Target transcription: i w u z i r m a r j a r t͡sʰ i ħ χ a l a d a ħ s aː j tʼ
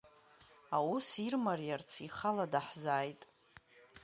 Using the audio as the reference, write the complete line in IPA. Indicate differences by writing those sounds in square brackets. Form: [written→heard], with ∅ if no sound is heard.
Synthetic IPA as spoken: [i→a] w u [z→s] i r m a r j a r t͡sʰ i [ħ→∅] χ a l a d a ħ [s→z] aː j tʼ